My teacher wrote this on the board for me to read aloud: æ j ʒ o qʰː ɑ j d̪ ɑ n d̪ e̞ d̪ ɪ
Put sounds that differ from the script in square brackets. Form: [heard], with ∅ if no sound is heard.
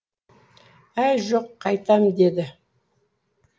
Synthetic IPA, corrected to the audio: æ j ʒ o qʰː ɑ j [t̪] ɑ [m] d̪ e̞ d̪ ɪ